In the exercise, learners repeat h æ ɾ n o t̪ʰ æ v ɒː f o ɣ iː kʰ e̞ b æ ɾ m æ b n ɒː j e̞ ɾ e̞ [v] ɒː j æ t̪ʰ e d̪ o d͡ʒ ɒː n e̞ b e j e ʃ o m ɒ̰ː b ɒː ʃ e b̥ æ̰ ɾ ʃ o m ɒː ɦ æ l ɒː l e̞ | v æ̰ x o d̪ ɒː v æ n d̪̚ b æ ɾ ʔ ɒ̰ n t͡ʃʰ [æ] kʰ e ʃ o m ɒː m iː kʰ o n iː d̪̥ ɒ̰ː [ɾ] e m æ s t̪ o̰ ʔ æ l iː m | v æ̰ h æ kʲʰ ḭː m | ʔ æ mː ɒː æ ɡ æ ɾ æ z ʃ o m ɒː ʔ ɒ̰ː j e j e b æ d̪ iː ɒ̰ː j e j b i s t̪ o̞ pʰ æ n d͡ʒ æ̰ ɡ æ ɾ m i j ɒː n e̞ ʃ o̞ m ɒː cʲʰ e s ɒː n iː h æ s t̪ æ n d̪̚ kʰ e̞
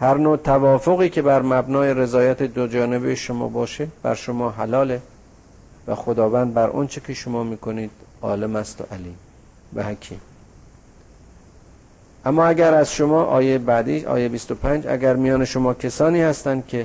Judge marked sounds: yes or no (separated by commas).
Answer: no, no, no